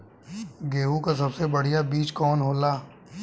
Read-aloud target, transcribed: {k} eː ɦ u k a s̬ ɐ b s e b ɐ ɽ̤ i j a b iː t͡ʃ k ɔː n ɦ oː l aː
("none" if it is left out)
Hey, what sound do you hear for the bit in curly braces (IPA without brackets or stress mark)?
ɡ